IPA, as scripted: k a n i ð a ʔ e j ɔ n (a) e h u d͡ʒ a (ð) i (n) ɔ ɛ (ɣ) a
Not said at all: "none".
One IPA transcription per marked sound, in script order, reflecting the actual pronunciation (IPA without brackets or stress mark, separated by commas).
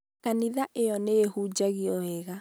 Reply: e, ɣ, none, ɣ